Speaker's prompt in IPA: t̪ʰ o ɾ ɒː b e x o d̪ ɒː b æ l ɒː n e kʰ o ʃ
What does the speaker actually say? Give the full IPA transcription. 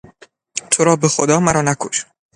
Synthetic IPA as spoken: t̪ʰ o ɾ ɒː b e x o d̪ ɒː m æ ɾ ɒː n æ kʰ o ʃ